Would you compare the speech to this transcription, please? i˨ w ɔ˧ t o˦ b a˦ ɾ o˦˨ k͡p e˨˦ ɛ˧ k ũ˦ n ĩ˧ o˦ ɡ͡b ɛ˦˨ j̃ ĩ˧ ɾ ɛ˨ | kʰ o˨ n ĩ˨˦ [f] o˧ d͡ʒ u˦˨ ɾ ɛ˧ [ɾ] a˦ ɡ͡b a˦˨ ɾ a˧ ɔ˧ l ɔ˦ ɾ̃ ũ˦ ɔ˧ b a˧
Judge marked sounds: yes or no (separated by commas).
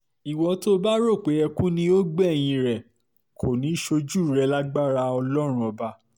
no, no